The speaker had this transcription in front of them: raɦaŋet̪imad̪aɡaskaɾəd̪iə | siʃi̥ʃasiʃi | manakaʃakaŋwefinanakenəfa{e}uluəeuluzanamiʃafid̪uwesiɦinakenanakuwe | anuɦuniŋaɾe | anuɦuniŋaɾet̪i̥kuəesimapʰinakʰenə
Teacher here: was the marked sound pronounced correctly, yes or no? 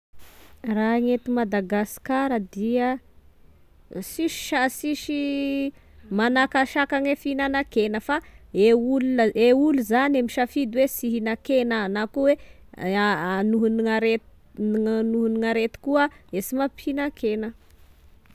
yes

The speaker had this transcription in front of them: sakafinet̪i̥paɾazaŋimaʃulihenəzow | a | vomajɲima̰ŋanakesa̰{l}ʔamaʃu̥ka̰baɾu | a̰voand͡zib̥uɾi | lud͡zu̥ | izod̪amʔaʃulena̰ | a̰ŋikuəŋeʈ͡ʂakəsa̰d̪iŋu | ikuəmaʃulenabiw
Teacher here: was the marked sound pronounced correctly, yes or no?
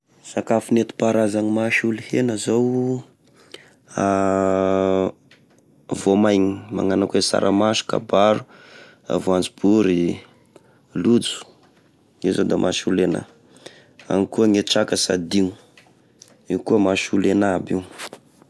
no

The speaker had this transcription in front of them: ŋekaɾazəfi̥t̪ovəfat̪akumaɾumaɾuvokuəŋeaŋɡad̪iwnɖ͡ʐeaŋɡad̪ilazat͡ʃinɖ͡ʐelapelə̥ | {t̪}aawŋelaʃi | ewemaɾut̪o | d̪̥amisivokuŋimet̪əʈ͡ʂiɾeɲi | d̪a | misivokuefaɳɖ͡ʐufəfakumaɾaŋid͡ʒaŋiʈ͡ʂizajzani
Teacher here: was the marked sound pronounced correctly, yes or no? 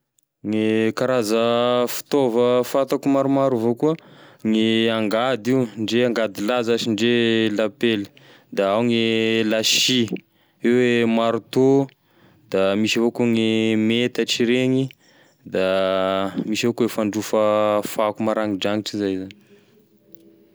no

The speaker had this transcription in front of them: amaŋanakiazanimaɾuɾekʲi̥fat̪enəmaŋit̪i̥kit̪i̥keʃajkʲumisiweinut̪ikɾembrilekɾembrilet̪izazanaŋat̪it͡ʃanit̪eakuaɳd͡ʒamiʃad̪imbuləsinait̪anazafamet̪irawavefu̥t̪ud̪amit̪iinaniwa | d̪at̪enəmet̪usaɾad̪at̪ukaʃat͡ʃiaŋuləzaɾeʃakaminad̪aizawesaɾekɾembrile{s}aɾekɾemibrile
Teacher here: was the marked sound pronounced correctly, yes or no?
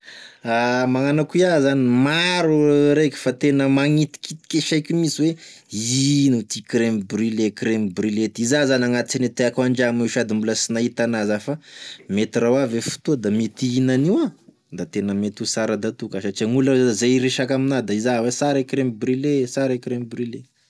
yes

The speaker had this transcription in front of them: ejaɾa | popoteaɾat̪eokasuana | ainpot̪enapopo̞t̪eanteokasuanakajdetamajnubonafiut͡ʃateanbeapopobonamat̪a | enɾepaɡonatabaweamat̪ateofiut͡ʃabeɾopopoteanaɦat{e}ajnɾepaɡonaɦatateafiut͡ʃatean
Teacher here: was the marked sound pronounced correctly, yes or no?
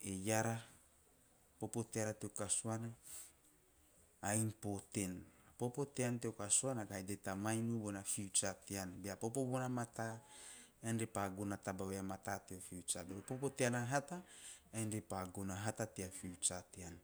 no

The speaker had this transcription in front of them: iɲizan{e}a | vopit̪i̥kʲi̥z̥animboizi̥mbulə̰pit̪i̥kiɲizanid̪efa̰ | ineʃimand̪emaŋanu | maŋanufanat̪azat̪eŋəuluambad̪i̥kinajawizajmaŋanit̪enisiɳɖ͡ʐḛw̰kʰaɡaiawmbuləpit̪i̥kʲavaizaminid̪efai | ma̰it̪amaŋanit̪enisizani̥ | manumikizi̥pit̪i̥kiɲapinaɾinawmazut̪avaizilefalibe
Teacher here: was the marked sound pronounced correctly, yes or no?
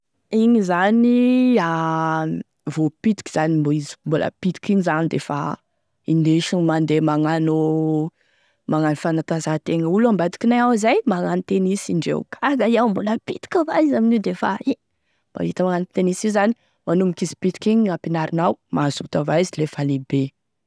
no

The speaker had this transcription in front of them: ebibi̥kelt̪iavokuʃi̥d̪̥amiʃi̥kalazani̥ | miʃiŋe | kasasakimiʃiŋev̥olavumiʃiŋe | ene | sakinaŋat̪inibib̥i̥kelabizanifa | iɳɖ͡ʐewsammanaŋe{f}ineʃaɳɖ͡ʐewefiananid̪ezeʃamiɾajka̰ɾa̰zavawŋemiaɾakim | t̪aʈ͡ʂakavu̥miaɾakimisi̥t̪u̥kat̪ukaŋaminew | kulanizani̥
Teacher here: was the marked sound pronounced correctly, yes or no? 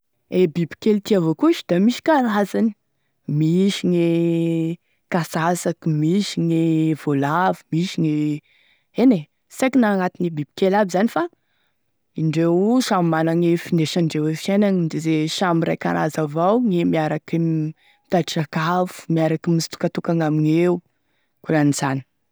yes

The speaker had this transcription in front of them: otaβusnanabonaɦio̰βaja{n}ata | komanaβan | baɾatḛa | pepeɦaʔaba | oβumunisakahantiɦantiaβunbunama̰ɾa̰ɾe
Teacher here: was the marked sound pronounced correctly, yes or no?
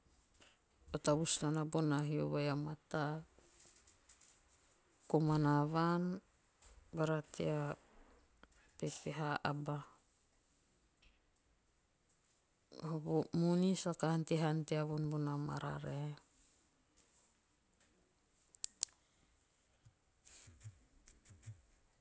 no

